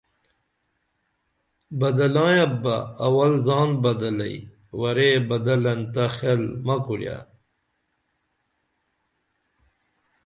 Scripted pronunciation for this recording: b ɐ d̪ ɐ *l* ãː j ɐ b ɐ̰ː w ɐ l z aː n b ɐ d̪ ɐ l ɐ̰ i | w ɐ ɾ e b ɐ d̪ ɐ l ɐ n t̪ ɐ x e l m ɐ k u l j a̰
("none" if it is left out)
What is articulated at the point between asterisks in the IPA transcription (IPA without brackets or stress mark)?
l